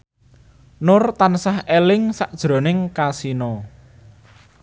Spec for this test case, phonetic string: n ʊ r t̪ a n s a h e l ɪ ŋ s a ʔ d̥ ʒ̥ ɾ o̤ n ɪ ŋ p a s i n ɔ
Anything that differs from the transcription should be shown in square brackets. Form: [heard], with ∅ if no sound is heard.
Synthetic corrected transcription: n ʊ r t̪ a n s a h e l ɪ ŋ s a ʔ d̥ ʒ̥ ɾ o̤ n ɪ ŋ [k] a s i n ɔ